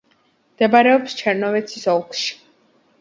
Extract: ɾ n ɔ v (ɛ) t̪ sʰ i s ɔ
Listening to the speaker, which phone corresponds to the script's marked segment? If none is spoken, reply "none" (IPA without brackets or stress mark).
ɛ